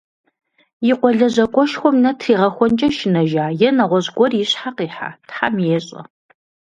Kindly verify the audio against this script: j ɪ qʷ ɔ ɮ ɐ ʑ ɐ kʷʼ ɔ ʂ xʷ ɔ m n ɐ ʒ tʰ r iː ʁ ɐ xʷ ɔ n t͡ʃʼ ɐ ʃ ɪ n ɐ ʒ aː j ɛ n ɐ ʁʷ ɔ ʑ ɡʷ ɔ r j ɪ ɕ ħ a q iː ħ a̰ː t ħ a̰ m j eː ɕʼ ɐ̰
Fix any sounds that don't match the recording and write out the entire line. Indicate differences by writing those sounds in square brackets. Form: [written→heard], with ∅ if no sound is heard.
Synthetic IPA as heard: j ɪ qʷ ɔ ɮ ɐ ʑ ɐ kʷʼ ɔ [ʂ→ʃ] xʷ ɔ m n ɐ [ʒ→∅] tʰ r iː ʁ ɐ xʷ ɔ n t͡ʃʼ ɐ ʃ ɪ n ɐ ʒ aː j ɛ n ɐ ʁʷ ɔ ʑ ɡʷ ɔ r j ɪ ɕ ħ a q iː ħ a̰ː t ħ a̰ m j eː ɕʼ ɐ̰